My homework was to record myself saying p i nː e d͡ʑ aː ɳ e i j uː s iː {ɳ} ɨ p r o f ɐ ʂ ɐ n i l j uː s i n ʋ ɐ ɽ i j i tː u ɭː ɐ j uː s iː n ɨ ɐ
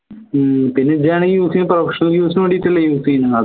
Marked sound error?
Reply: yes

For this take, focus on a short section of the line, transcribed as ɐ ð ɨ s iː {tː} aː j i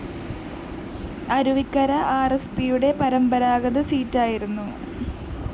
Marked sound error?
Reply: no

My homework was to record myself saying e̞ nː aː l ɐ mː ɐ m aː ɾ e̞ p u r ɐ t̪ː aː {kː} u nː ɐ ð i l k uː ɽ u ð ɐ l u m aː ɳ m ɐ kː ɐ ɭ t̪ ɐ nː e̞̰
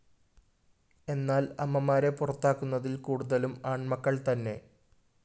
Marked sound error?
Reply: no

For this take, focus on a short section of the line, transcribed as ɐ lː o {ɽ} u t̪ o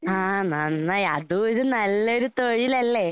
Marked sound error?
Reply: yes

